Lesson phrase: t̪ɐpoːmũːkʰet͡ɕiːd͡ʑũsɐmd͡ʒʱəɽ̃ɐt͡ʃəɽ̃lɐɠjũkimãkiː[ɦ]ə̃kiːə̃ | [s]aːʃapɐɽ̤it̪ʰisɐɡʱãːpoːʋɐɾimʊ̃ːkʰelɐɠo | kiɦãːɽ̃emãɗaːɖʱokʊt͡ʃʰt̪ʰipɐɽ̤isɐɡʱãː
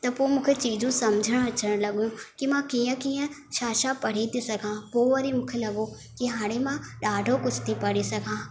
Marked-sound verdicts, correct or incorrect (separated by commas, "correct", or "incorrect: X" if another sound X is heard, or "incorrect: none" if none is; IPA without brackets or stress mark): incorrect: none, incorrect: ʃ